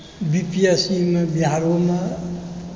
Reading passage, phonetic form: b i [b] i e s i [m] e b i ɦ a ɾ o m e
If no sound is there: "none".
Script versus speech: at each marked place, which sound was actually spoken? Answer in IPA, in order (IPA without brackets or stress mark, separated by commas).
p, m